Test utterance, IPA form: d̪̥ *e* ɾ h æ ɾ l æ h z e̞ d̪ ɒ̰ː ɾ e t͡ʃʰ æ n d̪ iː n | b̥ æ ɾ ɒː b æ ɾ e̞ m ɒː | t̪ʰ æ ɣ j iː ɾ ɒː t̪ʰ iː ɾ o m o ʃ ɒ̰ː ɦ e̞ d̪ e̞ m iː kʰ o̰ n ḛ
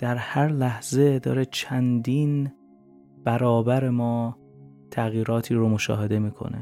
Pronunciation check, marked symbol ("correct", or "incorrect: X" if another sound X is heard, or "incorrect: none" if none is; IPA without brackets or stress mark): incorrect: æ